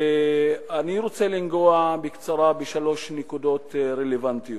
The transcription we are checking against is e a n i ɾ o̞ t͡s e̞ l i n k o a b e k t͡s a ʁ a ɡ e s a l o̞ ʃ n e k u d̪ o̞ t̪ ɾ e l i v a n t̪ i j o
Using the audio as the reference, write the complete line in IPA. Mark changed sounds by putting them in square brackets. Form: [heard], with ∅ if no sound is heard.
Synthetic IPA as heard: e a n i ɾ o̞ t͡s e̞ l i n [ɡ] o a b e k t͡s a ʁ a [b] e [ʃ] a l o̞ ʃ n e k u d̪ o̞ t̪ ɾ e l [e] v a n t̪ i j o